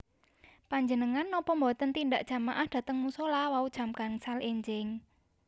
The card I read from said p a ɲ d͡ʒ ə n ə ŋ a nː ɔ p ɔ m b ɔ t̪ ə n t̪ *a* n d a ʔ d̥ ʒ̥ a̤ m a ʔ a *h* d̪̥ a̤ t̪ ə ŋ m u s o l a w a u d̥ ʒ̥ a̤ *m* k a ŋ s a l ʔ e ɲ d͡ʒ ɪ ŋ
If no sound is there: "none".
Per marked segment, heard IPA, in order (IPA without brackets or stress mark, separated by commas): i, h, m